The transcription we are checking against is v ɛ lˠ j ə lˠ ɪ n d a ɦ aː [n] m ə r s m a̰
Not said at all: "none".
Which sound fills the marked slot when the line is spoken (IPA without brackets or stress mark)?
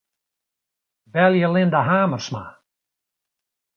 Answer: none